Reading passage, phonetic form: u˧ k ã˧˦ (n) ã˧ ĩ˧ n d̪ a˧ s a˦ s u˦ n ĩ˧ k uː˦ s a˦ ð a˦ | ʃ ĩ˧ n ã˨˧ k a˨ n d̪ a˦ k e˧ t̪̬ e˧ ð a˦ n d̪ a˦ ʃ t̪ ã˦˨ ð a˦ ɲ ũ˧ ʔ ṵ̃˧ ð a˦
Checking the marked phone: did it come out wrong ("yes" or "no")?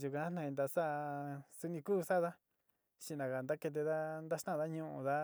no